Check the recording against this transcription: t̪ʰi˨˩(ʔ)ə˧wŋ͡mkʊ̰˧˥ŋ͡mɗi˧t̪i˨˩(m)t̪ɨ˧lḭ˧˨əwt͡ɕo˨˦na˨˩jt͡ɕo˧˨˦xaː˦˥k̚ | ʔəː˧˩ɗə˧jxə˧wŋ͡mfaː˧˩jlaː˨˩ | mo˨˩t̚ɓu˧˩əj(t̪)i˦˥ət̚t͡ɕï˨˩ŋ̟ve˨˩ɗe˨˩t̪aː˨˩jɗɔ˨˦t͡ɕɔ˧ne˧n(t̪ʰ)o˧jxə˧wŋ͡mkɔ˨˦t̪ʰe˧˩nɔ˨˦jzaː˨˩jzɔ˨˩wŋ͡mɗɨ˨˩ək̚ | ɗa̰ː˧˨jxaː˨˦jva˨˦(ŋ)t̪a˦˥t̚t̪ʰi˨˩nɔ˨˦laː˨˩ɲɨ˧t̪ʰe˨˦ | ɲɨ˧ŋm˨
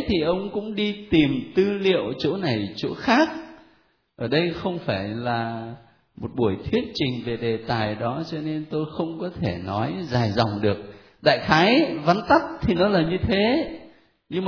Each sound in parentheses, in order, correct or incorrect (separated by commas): correct, correct, incorrect, incorrect, incorrect